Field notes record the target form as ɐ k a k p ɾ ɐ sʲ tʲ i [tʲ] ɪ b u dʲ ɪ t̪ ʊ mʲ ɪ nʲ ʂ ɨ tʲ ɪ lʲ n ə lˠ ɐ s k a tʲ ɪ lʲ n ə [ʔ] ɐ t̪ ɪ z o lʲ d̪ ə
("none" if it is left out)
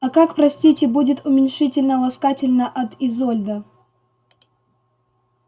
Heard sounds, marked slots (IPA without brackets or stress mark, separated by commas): tʲ, ʔ